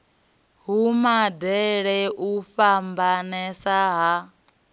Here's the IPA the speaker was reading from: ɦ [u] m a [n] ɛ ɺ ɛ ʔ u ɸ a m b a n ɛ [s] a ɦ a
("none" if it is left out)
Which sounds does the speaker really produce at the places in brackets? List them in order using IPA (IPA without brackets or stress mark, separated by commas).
u, d, s